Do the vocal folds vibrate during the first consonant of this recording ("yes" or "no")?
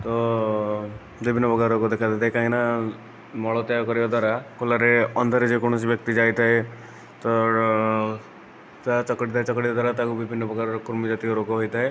no